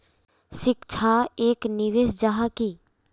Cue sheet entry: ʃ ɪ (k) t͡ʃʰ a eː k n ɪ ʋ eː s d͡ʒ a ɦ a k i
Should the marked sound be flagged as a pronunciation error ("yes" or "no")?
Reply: no